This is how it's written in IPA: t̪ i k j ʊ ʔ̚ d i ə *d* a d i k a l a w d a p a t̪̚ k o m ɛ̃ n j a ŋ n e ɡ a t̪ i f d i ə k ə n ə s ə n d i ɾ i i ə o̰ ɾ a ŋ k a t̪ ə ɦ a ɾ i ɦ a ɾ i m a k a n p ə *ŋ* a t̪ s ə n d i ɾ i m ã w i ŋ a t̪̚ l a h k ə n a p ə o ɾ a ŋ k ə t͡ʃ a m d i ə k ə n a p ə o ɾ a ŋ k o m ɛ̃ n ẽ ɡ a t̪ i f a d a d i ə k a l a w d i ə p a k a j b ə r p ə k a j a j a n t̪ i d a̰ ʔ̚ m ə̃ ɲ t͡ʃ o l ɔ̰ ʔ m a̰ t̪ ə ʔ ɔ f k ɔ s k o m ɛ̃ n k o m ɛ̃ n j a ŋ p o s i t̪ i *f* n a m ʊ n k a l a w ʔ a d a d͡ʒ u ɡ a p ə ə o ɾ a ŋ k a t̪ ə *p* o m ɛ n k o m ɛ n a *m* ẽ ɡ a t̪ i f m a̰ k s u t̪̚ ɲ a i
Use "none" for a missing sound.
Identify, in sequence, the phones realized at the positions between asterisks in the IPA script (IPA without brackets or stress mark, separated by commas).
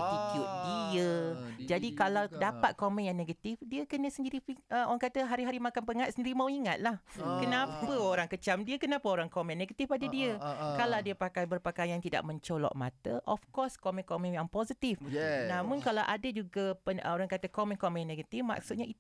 d͡ʒ, ŋ, f, k, n